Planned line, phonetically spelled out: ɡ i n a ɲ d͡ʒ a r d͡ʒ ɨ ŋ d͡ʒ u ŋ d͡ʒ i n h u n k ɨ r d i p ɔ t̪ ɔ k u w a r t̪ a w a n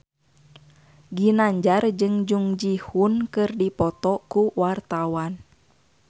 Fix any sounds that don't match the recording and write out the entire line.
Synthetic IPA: ɡ i n a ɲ d͡ʒ a r d͡ʒ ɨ ŋ d͡ʒ u ŋ d͡ʒ i h u n k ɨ r d i p ɔ t̪ ɔ k u w a r t̪ a w a n